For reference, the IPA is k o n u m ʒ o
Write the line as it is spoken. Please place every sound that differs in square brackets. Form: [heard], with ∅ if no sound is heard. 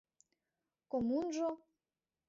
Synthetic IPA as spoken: k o [m] u [n] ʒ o